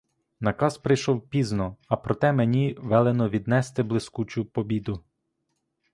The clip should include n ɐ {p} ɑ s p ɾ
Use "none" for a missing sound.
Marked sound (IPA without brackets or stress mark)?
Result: k